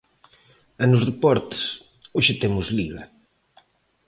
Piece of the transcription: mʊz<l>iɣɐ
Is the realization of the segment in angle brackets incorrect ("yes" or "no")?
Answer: no